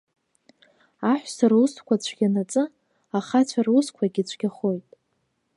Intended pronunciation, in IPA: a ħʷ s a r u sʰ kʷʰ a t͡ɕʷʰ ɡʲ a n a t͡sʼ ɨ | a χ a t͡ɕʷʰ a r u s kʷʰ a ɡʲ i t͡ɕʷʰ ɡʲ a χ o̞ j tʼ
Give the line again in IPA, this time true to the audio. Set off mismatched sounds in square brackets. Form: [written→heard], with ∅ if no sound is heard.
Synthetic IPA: a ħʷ s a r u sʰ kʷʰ a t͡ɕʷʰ ɡʲ a n a t͡sʼ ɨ | a χ a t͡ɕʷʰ a r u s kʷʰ a ɡʲ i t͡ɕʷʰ ɡʲ a χ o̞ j tʼ